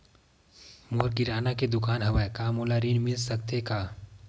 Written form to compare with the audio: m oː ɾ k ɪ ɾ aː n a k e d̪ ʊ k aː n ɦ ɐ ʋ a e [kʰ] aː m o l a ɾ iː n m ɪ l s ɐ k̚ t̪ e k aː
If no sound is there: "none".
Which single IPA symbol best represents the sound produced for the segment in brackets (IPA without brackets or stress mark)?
k